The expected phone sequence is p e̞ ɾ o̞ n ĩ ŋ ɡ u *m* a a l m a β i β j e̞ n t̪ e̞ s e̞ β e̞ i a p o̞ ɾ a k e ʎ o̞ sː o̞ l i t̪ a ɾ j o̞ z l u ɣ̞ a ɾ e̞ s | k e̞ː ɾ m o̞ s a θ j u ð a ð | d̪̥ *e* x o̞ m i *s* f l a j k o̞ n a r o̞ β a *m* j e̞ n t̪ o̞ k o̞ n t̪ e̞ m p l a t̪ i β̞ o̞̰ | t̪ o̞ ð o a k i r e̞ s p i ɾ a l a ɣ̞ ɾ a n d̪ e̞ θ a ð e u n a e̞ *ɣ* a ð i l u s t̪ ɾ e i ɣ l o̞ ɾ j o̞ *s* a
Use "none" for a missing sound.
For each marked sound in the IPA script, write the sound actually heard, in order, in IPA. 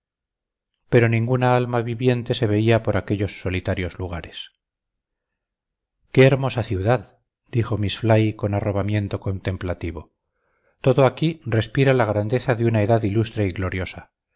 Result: n, i, s, m, ð, s

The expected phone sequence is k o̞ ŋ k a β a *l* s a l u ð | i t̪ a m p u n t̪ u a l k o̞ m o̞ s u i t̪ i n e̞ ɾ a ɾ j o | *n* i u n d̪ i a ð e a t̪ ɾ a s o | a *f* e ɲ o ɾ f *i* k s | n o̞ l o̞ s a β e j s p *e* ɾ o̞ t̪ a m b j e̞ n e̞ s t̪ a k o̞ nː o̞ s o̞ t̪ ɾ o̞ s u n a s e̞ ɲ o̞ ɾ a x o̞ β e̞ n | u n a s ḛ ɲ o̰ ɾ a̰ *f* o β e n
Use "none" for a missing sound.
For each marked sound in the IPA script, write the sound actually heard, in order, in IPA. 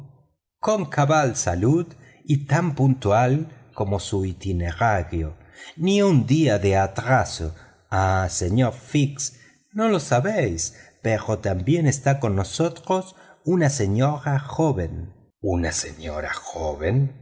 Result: l, n, s, i, e, x

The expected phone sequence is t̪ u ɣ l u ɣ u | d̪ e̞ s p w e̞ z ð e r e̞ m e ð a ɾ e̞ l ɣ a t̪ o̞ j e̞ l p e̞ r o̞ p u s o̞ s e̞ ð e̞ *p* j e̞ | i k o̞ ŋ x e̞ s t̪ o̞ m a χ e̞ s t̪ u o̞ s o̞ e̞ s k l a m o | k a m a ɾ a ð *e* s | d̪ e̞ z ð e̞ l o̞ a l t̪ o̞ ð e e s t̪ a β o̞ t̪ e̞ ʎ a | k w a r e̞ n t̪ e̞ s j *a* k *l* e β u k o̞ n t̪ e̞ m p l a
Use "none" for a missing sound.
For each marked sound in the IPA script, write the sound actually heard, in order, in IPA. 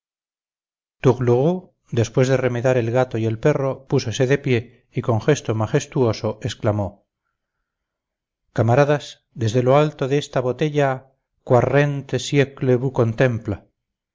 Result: p, a, e, l

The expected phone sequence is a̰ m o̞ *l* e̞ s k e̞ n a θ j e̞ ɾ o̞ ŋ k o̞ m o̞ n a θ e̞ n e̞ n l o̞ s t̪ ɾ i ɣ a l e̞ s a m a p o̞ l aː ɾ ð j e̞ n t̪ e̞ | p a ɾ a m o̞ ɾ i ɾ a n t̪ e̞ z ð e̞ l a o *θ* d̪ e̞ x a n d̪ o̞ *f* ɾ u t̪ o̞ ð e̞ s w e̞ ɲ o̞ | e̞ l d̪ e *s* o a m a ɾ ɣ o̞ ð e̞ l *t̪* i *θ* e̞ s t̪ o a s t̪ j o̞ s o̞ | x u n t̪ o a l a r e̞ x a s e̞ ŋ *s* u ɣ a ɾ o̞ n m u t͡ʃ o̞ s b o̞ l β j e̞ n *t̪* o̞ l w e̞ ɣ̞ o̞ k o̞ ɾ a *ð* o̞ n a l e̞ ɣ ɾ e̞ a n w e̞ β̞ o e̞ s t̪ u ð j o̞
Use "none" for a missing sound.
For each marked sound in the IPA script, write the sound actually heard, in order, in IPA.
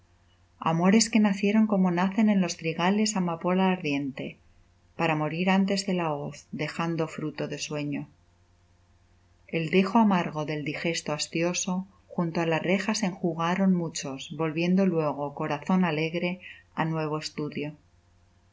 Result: ɾ, θ, f, x, d̪, x, x, d̪, θ

